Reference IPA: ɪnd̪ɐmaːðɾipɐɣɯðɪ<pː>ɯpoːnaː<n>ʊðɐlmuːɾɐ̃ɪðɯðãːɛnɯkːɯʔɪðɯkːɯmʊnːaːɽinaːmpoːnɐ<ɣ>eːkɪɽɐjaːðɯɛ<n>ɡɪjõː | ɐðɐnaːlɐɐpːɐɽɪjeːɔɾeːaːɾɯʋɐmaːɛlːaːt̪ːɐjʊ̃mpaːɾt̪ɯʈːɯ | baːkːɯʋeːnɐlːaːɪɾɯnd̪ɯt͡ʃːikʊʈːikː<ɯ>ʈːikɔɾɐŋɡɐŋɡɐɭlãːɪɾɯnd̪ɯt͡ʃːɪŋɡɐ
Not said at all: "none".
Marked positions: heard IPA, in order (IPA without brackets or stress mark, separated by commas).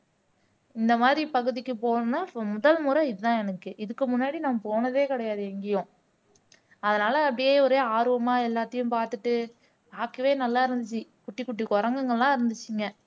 kː, m, ð, ŋ, ʊ